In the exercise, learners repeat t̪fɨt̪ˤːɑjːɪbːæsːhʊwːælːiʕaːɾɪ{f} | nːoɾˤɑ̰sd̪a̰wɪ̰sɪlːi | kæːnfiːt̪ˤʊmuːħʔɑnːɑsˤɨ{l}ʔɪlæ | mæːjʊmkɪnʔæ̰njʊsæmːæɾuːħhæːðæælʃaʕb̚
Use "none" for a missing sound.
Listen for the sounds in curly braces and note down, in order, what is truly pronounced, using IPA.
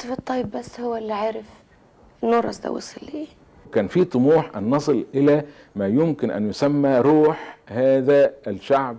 f, l

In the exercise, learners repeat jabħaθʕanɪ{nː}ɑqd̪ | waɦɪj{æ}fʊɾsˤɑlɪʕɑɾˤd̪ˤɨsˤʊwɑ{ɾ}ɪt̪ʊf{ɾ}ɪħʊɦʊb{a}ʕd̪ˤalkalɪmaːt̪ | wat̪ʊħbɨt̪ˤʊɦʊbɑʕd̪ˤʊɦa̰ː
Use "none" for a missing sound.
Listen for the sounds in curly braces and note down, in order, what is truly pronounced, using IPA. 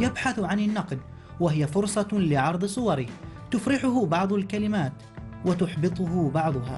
nː, a, ɾ, ɾ, ɑ

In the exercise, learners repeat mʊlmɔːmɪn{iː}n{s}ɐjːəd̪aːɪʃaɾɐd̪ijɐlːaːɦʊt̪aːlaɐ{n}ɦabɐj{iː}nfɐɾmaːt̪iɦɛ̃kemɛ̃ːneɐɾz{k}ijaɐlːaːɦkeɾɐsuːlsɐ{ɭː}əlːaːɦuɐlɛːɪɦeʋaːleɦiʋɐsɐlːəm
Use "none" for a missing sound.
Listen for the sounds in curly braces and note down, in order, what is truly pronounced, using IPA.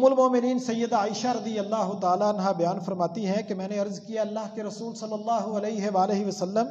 iː, s, n, aː, k, lː

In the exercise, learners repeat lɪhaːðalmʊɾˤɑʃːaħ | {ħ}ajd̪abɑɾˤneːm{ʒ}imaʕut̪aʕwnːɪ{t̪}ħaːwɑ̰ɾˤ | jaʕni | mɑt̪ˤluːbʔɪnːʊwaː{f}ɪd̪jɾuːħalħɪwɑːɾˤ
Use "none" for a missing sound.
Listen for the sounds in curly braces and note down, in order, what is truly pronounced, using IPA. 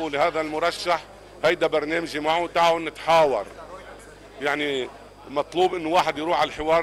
h, ʒ, t̪, ħ

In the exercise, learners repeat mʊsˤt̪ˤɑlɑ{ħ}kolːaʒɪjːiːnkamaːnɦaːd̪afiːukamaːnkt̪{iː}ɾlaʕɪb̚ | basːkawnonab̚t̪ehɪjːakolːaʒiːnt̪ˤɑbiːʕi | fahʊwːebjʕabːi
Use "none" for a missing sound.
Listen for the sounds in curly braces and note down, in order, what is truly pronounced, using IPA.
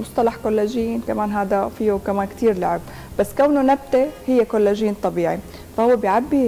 ħ, iː

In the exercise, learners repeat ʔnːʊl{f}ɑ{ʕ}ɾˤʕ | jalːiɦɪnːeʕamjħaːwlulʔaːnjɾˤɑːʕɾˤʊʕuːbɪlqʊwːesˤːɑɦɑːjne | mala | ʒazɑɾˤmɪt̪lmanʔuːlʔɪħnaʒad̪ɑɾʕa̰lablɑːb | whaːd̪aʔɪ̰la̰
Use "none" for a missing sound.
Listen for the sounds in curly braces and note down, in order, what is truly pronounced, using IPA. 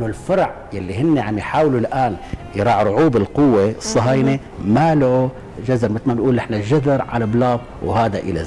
f, none

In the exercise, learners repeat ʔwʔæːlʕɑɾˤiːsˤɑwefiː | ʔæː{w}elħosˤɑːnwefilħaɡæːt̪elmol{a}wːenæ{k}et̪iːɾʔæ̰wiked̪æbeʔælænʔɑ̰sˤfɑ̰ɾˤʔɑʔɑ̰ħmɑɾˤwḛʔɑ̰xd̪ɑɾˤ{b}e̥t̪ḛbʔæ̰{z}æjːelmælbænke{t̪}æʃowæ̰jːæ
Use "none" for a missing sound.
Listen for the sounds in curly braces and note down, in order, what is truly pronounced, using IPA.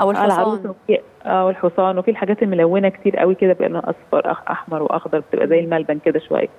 w, æ, k, b, z, d̪

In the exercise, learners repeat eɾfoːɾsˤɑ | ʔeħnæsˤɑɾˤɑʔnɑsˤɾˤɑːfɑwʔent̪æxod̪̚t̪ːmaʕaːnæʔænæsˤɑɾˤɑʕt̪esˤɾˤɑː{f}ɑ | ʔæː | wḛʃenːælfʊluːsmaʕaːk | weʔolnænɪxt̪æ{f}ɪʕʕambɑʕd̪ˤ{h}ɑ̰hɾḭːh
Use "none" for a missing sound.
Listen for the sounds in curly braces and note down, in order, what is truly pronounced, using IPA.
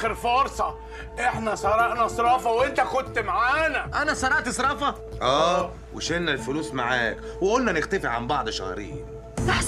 f, f, ʃ

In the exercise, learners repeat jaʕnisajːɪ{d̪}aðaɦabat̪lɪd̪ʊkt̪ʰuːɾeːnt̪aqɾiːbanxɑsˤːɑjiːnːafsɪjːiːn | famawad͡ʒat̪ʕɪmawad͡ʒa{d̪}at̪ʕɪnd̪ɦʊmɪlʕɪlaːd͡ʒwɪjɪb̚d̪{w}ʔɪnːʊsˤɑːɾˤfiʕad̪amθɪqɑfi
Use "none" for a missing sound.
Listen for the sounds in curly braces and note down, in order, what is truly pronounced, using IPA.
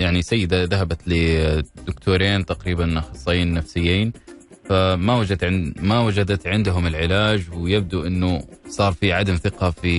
d̪, d̪, u

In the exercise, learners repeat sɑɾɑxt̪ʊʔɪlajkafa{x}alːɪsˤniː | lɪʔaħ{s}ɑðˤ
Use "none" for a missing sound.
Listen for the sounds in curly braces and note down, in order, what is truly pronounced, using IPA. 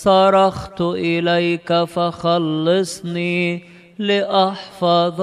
x, f

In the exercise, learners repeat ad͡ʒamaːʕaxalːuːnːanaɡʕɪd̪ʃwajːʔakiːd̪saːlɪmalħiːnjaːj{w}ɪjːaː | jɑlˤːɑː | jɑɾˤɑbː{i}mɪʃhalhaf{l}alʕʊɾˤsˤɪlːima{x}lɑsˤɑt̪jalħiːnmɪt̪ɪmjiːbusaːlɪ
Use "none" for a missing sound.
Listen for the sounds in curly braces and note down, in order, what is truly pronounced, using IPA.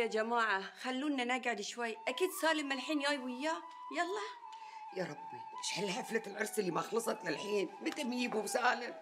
w, i, l, x

